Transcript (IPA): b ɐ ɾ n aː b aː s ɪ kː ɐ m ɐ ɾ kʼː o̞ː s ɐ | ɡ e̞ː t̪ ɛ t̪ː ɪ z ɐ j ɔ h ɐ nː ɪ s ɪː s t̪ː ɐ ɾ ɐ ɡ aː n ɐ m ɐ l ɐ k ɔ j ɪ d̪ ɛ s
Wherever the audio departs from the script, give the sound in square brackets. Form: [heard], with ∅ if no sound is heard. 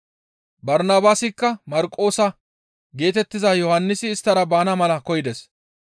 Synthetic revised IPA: b ɐ ɾ n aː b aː s ɪ kː ɐ m ɐ ɾ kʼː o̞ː s ɐ | ɡ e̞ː t̪ ɛ t̪ː ɪ z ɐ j ɔ h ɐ nː ɪ s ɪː s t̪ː ɐ ɾ ɐ [b] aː n ɐ m ɐ l ɐ k ɔ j ɪ d̪ ɛ s